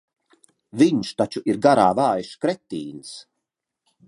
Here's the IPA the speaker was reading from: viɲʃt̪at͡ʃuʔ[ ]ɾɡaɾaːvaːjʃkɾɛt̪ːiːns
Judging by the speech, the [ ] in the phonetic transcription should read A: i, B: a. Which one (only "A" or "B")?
A